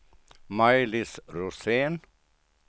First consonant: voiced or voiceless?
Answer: voiced